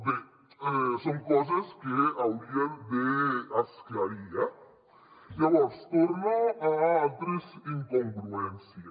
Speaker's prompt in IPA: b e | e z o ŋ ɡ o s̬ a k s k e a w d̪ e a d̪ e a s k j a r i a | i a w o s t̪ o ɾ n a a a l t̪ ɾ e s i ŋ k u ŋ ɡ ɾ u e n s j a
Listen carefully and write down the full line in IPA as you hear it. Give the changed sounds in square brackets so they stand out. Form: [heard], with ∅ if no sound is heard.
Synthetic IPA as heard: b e | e [s] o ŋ [k] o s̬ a [∅] s k e a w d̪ [i] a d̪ e a s k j a [ɾ] i a | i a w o s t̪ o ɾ n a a a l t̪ ɾ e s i ŋ k [o] ŋ ɡ ɾ u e n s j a